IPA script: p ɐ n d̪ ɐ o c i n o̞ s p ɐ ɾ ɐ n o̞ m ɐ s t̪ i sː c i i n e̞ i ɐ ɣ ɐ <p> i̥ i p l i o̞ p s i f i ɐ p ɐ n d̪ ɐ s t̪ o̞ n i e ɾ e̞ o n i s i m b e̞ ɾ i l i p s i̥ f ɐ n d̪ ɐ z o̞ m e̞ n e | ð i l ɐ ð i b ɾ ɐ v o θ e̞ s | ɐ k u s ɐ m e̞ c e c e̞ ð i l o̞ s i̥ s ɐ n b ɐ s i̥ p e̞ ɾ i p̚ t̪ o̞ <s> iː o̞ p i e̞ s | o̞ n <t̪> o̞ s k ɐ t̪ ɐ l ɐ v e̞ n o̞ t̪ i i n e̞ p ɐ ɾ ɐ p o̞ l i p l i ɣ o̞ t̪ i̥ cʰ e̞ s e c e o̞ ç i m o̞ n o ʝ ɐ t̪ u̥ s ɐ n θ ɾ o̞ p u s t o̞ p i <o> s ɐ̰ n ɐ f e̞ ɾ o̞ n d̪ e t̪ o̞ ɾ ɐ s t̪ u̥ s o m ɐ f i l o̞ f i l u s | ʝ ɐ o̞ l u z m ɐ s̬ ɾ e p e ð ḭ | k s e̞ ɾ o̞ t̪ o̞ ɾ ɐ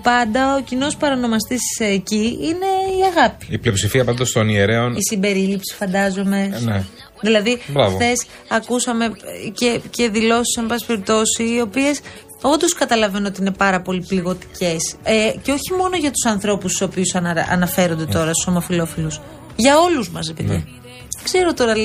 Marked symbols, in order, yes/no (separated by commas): yes, yes, no, no